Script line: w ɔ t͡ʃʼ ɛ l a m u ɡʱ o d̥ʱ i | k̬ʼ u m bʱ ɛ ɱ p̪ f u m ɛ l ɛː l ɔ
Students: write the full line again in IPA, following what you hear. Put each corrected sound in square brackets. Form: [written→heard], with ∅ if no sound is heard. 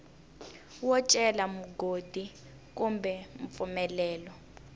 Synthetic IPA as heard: w ɔ t͡ʃʼ ɛ l a m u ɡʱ o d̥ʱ i | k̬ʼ u m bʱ ɛ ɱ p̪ f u m ɛ l ɛː l ɔ